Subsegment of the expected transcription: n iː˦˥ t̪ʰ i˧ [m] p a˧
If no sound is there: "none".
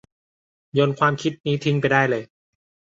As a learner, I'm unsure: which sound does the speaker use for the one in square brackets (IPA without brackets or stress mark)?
ŋ